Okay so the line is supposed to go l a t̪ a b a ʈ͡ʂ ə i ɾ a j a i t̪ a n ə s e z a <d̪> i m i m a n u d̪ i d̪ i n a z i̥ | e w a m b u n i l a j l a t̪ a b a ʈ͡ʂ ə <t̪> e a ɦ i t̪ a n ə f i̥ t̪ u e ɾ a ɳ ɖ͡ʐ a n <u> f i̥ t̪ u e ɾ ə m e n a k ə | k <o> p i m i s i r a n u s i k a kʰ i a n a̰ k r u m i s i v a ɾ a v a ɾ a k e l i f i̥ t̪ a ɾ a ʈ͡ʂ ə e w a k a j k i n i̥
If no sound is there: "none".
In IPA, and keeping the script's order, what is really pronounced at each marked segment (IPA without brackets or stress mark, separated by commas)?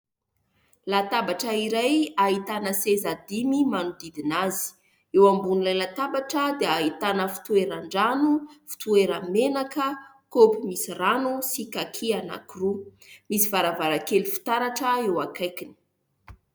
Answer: d̪, d̪, u, o